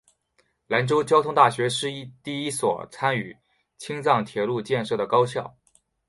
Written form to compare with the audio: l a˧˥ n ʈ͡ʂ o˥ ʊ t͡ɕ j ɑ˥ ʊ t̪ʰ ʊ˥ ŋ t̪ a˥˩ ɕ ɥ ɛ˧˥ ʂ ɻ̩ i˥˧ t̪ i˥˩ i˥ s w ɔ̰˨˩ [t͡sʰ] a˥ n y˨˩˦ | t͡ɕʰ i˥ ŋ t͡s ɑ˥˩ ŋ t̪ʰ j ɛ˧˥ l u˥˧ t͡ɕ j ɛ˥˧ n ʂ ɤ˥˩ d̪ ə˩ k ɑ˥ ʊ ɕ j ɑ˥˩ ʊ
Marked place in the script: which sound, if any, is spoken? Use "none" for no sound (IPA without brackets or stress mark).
t͡sʰ